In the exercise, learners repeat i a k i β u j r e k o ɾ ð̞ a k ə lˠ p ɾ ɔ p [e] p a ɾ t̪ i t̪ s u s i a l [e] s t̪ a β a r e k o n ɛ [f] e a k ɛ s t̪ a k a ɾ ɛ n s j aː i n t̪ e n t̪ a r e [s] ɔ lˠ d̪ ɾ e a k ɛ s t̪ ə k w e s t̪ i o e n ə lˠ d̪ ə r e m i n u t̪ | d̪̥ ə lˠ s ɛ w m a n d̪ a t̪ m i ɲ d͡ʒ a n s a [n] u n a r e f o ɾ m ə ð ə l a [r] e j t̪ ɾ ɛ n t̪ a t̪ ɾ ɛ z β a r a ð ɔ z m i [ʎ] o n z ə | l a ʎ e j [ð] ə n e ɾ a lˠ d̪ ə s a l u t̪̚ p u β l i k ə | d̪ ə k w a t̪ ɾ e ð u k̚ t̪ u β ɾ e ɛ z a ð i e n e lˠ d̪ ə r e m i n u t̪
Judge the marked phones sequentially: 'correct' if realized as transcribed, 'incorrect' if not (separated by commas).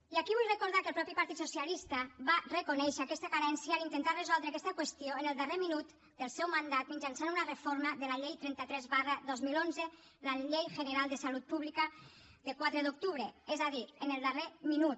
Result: incorrect, incorrect, incorrect, incorrect, correct, incorrect, incorrect, incorrect